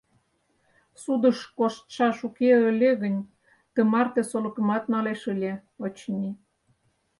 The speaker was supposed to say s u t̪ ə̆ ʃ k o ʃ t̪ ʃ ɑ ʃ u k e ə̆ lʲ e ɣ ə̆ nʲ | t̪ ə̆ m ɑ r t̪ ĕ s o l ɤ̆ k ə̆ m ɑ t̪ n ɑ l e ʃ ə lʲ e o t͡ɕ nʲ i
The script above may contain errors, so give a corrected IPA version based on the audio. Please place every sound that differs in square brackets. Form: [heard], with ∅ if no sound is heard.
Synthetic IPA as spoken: s u [d̪] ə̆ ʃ k o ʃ t̪ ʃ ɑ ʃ u k e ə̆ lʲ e ɣ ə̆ nʲ | t̪ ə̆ m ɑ r t̪ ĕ s o l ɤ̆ k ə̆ m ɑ t̪ n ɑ l e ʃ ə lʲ e o t͡ɕ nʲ i